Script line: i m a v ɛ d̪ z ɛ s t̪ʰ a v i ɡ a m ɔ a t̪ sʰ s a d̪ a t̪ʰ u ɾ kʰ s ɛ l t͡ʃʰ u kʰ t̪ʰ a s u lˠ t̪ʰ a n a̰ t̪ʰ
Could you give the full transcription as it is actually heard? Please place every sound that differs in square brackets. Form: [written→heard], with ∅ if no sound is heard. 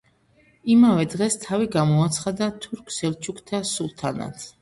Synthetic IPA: i m a v ɛ d̪ [z→ʁ] ɛ s t̪ʰ a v i ɡ a m ɔ a t̪ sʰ [s→χ] a d̪ a t̪ʰ u ɾ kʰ s ɛ l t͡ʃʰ u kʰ t̪ʰ a s u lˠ t̪ʰ a n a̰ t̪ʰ